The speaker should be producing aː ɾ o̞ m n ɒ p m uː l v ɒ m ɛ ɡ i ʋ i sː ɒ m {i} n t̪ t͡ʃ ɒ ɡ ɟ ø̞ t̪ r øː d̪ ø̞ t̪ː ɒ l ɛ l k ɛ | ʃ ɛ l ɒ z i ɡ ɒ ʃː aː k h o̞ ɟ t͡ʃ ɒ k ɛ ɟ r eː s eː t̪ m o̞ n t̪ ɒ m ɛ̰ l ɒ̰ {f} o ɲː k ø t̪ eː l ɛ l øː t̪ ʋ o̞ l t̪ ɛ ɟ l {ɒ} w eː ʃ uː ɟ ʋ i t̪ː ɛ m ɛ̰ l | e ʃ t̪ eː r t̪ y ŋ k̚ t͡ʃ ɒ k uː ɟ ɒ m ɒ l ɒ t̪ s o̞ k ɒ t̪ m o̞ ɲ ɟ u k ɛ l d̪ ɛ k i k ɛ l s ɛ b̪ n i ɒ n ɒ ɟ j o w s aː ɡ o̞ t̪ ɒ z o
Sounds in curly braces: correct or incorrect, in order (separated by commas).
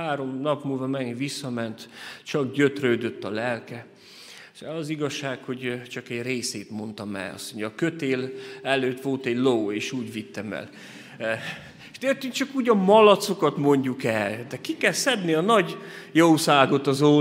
incorrect, incorrect, incorrect